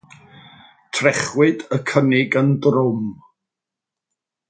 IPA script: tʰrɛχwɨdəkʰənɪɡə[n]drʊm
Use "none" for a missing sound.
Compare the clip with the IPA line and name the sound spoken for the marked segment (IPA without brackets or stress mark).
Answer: n